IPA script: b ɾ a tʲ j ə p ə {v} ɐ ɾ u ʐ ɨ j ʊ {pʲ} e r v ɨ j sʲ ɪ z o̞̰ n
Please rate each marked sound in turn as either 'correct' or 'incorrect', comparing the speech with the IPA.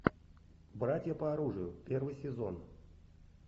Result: incorrect: none, correct

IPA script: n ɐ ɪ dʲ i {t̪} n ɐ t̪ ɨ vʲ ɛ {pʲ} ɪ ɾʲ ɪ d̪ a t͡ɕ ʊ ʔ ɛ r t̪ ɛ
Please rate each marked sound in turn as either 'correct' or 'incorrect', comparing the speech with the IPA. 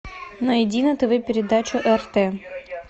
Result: incorrect: none, correct

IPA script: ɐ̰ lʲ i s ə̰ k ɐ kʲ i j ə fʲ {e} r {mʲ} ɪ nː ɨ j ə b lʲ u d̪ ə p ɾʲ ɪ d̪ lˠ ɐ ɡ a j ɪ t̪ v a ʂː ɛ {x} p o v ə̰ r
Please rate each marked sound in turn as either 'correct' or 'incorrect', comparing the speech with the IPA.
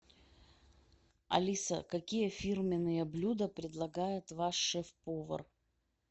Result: incorrect: i, correct, incorrect: f

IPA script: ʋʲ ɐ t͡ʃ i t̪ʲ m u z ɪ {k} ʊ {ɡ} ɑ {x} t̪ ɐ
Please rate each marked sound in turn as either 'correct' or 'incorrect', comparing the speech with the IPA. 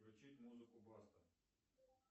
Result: correct, incorrect: b, incorrect: s

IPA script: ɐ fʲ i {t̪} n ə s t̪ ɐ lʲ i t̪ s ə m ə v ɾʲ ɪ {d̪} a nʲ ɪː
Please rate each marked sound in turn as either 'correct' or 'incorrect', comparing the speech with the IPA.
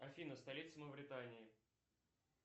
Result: incorrect: none, incorrect: t̪

